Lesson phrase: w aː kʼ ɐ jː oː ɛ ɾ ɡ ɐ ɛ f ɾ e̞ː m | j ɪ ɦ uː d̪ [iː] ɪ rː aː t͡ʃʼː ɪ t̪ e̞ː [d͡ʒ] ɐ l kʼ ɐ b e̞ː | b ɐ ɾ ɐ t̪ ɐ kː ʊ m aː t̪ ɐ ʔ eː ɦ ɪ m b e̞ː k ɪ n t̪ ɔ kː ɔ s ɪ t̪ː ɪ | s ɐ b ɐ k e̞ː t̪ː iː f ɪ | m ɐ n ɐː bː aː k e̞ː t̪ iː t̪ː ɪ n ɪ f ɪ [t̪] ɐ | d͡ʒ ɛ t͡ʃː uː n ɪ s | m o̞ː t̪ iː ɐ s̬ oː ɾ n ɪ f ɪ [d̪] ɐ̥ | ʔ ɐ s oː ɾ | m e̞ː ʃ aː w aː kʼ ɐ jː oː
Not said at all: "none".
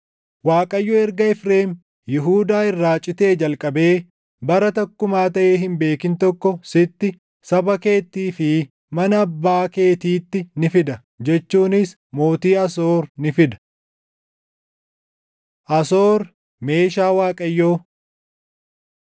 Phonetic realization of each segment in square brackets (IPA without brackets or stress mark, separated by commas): aː, d͡ʒ, d̪, d̪